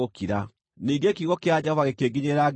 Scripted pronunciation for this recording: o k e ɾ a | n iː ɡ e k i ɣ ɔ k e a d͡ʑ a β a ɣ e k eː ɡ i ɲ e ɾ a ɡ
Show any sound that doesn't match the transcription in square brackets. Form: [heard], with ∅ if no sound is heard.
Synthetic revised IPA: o k [i] ɾ a | n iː ɡ e k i ɣ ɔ k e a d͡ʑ a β a ɣ e k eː ɡ i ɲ e ɾ a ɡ

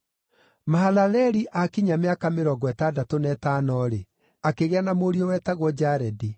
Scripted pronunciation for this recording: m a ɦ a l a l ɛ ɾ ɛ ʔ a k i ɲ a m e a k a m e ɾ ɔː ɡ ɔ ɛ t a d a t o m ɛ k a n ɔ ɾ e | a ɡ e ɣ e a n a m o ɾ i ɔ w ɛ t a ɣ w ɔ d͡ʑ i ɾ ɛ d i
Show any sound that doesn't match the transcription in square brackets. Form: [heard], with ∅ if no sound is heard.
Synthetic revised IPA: m a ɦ a l a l ɛ ɾ [i] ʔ a k i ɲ a m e a k a m e ɾ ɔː ɡ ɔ ɛ t a d a t o [n] ɛ [t] a n ɔ ɾ e | a [k] e ɣ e a n a m o ɾ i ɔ w ɛ t a ɣ w ɔ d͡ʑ [a] ɾ ɛ d i

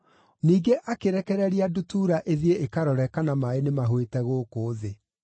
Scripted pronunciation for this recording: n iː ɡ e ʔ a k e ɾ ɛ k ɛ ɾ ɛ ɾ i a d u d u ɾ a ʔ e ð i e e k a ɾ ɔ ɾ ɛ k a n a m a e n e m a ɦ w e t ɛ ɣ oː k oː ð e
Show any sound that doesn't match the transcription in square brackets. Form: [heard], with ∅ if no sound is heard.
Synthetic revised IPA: n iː ɡ e ʔ a k e ɾ ɛ k ɛ ɾ ɛ ɾ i a d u [t] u ɾ a ʔ e ð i e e k a ɾ ɔ ɾ ɛ k a n a m a e n e m a ɦ w e t ɛ ɣ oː k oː ð e

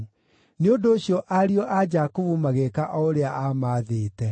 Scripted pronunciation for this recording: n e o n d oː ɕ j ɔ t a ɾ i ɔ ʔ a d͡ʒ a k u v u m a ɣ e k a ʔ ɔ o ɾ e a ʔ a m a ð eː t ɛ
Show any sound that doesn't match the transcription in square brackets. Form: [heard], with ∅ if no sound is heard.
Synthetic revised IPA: n e o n d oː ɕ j ɔ [ʔ] a ɾ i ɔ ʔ a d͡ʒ a k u v u m a ɣ e k a ʔ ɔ o ɾ e a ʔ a m a ð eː t ɛ

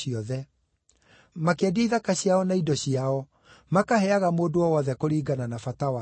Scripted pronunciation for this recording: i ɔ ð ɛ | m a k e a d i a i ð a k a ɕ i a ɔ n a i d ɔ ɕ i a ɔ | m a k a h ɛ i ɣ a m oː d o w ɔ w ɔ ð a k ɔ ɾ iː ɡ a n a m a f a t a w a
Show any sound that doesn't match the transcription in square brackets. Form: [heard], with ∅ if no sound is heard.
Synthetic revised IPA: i ɔ ð ɛ | m a k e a d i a i ð a k a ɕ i a ɔ n a i d ɔ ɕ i a ɔ | m a k a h ɛ [a] ɣ a m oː d o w ɔ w ɔ ð [ɛ] k [o] ɾ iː ɡ a n a [n] a f a t a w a

